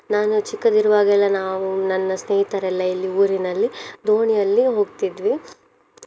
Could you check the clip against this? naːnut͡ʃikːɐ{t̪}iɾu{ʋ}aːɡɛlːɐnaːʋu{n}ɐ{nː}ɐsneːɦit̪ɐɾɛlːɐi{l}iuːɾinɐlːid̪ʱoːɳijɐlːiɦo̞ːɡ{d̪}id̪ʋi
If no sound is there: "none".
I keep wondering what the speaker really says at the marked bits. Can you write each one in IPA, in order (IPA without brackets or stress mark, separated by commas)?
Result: d̪, ʋ, n, nː, lː, t̪